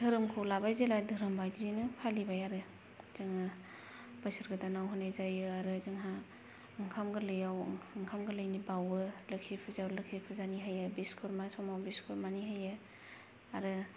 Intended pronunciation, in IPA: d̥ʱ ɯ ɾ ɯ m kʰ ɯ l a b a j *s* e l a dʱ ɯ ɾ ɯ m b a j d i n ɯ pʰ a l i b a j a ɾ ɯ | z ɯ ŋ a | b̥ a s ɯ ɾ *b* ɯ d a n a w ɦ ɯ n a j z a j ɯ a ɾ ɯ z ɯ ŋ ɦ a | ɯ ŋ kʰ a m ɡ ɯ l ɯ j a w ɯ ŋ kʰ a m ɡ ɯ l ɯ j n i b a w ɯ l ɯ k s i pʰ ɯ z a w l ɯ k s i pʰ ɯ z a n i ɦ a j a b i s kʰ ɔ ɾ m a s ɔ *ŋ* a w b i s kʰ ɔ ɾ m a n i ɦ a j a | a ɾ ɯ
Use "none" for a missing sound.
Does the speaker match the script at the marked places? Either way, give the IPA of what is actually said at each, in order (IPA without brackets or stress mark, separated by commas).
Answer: z, ɡ, m